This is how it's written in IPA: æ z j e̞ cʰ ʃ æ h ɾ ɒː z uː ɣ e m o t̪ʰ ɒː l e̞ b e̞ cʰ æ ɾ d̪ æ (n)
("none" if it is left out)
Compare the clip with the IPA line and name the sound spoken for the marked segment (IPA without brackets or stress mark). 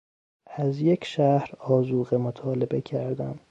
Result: m